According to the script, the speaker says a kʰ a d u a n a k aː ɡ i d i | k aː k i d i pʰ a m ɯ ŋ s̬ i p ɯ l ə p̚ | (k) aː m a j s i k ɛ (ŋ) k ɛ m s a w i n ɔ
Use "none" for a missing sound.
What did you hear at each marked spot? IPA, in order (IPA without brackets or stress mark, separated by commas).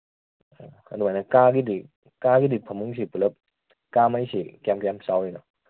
k, m